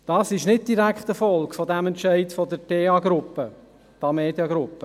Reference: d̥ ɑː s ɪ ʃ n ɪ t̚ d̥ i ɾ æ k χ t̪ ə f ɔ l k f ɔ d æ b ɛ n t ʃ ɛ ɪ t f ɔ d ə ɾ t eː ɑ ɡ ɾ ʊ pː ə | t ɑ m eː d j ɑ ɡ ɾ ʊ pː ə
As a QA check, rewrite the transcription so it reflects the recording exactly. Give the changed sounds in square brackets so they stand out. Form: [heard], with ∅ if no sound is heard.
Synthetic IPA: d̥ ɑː s ɪ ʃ n ɪ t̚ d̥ i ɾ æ k χ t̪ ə f ɔ l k f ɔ d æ [m] ɛ n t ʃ ɛ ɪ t f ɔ d ə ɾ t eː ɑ ɡ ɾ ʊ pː ə | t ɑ m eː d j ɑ ɡ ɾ ʊ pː ə